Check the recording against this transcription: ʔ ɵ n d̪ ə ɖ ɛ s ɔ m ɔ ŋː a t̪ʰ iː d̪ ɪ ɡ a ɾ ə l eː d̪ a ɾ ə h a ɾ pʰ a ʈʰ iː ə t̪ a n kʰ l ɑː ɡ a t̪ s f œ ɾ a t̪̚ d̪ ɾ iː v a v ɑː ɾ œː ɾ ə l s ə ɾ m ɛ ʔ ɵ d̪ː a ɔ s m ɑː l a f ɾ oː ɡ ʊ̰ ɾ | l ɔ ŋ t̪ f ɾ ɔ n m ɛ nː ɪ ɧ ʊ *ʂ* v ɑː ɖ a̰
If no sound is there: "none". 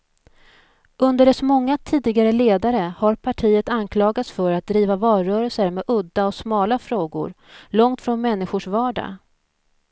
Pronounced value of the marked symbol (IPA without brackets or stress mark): ʂ